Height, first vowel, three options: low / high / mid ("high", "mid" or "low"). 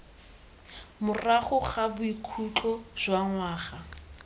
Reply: high